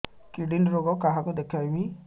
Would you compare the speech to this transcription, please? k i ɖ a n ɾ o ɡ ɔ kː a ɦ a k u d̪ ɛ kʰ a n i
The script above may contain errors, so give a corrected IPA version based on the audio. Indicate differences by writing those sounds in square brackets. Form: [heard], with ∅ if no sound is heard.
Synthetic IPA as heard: k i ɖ [i] n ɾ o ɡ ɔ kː a ɦ a k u d̪ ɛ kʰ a [m] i